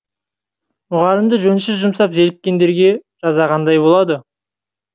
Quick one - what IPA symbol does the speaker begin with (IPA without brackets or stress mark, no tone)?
m